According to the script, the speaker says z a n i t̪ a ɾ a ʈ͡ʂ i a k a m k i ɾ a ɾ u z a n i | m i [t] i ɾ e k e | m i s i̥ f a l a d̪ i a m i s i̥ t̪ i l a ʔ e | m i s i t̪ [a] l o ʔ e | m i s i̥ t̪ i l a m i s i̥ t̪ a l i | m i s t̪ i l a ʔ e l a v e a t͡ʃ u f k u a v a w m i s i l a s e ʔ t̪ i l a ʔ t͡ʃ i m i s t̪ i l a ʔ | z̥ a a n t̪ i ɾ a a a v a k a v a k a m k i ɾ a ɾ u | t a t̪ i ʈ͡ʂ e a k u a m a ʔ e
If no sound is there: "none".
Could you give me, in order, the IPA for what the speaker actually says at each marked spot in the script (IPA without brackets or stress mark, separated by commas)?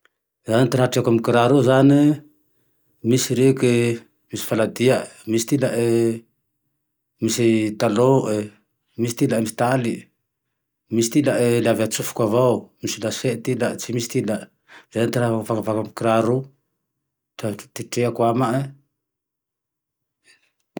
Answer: s, a